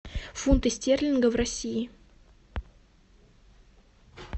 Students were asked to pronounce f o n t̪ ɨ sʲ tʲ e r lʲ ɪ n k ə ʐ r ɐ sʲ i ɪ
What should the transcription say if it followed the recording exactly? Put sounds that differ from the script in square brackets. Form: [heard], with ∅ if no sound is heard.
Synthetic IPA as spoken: f [u] n t̪ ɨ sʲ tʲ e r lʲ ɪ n [ɡ] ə [v] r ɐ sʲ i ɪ